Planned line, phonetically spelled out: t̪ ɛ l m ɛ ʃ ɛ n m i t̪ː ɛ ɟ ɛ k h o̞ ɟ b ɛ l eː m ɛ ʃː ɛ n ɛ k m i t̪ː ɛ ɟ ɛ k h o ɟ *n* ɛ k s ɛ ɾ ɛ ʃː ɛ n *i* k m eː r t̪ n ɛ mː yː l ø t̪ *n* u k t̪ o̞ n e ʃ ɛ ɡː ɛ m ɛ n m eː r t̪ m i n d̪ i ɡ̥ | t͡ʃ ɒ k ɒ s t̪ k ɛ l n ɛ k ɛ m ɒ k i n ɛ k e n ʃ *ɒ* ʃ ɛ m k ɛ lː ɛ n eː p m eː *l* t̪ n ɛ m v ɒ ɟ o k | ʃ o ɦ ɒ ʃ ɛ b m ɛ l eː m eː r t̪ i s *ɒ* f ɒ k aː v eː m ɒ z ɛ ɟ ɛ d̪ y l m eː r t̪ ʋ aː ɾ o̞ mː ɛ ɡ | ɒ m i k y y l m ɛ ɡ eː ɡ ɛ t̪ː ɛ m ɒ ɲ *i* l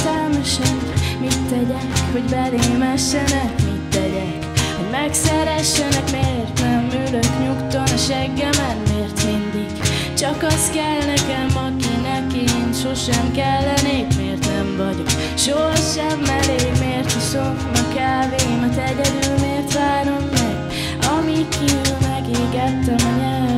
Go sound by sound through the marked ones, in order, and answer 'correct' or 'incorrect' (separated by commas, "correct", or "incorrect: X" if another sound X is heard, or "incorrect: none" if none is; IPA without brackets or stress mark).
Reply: incorrect: m, incorrect: ɛ, incorrect: ɲ, incorrect: o, incorrect: r, incorrect: o, incorrect: ɛ